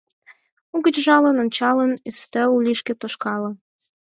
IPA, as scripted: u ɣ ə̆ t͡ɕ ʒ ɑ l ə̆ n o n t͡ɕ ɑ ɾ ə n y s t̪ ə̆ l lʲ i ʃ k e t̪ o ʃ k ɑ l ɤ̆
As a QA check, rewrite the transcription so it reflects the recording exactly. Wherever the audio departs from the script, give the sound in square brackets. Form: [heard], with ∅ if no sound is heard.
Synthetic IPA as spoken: u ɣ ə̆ t͡ɕ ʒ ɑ l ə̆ n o n t͡ɕ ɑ [l] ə n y s t̪ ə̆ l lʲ i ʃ k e t̪ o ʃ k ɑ l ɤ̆